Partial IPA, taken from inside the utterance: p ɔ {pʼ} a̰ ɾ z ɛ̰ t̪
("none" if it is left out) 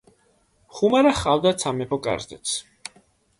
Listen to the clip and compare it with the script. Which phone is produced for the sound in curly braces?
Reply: kʼ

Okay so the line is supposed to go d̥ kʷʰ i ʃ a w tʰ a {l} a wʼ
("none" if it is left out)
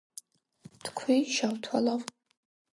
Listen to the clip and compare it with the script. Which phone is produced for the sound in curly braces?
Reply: l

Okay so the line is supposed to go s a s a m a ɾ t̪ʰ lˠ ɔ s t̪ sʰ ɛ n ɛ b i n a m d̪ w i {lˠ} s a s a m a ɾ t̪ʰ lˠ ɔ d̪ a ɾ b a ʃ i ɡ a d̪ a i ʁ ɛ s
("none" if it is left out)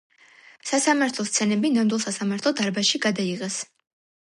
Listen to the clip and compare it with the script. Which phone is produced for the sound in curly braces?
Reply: lˠ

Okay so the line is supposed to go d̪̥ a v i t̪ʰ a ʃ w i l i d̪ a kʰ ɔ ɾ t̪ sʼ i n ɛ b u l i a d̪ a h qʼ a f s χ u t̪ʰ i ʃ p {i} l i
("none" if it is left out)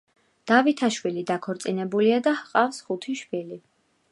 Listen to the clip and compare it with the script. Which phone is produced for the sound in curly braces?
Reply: i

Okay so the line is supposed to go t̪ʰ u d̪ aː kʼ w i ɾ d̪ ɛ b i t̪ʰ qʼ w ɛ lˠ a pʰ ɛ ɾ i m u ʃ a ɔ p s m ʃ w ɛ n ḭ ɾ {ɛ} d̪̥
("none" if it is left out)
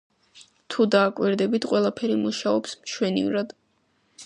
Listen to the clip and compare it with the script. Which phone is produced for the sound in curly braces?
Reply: a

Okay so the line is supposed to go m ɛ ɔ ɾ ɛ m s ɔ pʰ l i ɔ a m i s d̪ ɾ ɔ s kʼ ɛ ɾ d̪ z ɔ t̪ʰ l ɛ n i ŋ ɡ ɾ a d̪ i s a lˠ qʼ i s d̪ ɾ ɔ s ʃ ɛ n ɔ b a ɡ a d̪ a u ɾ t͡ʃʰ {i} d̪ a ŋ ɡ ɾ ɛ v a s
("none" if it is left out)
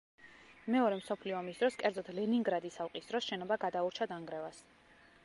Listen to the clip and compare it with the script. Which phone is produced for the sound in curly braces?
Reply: a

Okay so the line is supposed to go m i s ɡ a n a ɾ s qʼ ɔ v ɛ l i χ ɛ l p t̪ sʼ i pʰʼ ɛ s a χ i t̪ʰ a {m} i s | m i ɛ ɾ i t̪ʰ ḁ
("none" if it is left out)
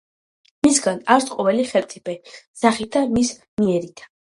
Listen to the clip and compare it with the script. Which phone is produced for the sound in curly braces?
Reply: m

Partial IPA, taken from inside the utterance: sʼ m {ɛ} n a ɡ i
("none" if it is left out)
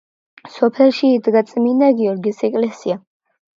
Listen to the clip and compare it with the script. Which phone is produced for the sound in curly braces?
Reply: i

